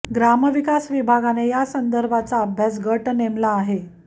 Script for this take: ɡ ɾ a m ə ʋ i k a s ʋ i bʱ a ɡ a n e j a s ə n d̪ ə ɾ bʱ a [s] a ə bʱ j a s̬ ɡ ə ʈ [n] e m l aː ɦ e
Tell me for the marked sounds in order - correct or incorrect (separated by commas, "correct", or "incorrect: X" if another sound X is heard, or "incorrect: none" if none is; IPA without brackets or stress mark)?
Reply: incorrect: t͡s, correct